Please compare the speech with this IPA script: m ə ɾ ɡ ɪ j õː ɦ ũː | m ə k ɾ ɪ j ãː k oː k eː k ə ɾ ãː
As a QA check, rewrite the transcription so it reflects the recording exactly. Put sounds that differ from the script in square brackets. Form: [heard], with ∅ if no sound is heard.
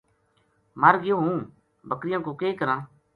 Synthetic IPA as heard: m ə ɾ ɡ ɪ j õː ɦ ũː | [b] ə k ɾ ɪ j ãː k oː k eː k ə ɾ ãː